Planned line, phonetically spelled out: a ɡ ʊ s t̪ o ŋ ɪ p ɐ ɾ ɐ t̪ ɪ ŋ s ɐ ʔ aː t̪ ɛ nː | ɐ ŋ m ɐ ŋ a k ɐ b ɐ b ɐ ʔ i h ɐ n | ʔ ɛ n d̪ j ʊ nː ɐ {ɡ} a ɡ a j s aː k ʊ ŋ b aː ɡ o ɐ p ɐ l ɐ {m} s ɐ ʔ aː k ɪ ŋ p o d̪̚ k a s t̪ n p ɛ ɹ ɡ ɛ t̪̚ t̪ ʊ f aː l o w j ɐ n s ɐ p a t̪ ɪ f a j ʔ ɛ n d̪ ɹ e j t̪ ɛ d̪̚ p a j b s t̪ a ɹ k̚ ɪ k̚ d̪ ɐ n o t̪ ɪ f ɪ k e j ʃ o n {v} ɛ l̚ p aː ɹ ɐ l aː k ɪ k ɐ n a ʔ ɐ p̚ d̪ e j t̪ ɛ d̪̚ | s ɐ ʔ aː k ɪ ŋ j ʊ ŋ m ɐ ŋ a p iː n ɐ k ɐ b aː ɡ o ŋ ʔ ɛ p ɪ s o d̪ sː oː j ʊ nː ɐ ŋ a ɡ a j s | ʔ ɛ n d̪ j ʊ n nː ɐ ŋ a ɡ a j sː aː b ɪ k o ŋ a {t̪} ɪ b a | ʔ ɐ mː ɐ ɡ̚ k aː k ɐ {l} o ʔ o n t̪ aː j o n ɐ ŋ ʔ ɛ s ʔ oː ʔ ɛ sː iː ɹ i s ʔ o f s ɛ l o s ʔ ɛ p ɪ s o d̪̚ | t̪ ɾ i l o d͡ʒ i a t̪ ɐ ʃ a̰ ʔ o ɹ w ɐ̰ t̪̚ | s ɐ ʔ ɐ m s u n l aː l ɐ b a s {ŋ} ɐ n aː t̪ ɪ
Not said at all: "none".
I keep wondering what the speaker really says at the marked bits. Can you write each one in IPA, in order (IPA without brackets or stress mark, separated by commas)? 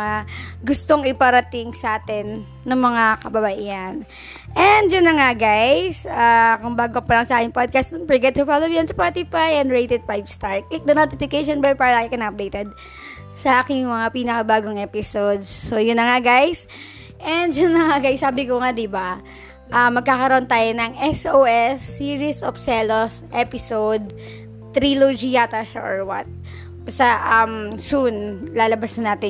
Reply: ŋ, ŋ, b, d̪, ɾ, n